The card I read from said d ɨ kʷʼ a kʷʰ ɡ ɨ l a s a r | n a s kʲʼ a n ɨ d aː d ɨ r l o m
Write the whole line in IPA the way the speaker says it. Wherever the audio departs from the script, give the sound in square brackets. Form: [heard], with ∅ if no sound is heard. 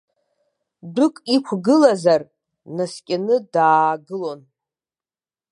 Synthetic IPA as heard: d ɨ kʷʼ [i] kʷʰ ɡ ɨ l a [z] a r | n a s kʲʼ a n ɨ d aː [ɡ] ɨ [∅] l o [n]